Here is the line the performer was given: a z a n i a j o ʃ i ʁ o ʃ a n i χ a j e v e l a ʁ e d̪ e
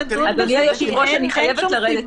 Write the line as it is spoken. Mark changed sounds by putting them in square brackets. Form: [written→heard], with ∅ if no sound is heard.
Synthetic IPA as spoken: a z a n i a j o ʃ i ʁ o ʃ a n i χ a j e v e l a ʁ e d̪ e